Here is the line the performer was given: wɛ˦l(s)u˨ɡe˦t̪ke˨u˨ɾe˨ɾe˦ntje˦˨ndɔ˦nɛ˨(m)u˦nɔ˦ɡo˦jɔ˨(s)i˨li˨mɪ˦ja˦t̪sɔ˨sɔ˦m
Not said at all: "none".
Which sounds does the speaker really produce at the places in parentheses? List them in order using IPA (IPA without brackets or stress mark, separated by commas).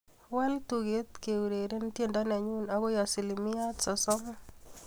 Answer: t, ɲ, s